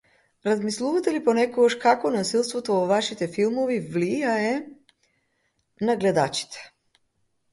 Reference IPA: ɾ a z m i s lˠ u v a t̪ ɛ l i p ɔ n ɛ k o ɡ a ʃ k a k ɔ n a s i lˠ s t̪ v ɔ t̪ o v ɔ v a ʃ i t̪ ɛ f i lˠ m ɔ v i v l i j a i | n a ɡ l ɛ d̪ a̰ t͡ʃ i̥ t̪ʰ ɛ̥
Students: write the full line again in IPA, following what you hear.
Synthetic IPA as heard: ɾ a z m i s lˠ u v a t̪ ɛ l i p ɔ n ɛ k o ɡ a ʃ k a k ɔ n a s i lˠ s t̪ v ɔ t̪ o v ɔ v a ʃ i t̪ ɛ f i lˠ m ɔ v i v l i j a ɛ | n a ɡ l ɛ d̪ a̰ t͡ʃ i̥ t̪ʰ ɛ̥